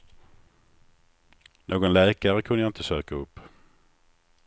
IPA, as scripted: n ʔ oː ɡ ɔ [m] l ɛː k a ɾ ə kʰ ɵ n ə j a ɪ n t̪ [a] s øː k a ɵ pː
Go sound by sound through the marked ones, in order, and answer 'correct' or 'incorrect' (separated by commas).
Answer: incorrect, incorrect